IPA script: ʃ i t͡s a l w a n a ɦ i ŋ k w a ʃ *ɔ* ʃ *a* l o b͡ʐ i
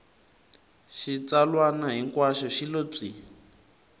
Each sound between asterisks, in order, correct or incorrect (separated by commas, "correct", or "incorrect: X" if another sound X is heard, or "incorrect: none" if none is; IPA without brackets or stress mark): correct, incorrect: i